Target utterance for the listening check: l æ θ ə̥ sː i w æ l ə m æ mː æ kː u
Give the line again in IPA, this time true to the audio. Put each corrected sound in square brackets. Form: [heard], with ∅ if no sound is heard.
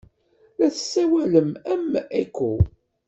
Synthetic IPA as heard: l æ θ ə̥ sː [æ] w æ l ə m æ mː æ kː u